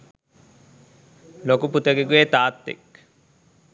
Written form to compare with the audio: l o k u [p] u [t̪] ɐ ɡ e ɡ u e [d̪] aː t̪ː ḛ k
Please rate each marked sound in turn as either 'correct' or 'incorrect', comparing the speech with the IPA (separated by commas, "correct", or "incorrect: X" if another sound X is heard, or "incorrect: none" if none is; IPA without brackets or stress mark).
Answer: correct, correct, incorrect: t̪